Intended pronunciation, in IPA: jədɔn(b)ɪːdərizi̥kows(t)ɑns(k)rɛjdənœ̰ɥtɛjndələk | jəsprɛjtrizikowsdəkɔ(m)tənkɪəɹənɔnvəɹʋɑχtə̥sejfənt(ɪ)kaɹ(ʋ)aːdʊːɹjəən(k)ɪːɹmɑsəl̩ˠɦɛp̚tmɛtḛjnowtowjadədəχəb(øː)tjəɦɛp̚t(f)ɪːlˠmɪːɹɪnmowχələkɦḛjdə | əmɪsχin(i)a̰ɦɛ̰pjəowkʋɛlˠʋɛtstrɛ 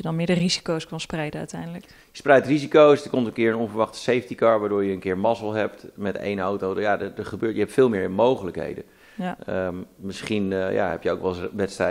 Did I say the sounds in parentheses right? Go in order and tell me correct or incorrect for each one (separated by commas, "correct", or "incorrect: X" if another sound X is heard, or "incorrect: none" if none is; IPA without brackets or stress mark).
incorrect: m, incorrect: k, incorrect: p, correct, incorrect: i, correct, correct, correct, correct, incorrect: j